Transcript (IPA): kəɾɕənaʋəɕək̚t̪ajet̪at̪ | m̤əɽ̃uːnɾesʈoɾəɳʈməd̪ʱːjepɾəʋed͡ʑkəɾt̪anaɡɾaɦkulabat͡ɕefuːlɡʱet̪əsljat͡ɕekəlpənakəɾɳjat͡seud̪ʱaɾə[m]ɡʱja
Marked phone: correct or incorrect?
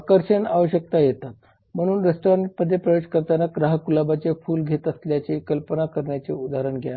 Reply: incorrect